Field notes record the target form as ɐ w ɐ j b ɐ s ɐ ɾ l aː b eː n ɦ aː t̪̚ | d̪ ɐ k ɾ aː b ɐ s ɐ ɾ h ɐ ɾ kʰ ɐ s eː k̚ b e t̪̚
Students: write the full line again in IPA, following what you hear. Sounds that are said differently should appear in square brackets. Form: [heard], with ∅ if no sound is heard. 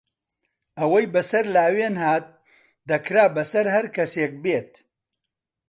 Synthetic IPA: ɐ w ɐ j b ɐ s ɐ ɾ l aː [w] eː n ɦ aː t̪̚ | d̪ ɐ k ɾ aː b ɐ s ɐ ɾ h ɐ ɾ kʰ ɐ s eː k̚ b e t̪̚